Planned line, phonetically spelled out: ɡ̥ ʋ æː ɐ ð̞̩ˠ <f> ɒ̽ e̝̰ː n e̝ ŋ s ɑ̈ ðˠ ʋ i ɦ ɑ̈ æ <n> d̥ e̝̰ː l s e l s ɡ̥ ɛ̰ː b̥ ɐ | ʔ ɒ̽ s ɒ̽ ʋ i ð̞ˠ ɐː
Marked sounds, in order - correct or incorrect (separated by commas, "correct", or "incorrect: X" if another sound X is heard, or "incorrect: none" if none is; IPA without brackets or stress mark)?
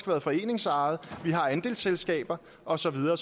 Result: correct, correct